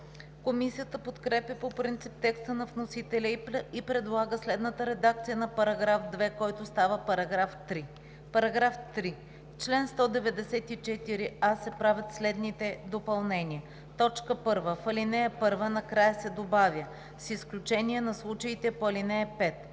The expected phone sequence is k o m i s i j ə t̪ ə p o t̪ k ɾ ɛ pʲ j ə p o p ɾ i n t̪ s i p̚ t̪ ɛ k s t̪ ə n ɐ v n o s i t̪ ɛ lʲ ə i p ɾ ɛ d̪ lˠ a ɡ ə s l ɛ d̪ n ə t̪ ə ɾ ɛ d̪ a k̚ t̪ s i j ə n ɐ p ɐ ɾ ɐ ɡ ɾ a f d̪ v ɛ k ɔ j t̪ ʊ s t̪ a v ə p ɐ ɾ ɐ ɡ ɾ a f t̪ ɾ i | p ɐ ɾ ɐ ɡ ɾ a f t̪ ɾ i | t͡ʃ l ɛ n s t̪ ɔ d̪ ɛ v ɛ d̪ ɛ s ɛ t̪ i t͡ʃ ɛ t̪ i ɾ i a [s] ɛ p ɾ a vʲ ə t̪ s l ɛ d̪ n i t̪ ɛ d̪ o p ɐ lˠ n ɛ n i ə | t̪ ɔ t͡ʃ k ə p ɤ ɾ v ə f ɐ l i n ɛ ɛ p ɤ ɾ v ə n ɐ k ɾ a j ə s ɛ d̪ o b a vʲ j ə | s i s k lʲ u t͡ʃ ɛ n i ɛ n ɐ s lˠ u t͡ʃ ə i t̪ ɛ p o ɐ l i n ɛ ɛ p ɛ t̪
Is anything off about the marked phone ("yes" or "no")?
no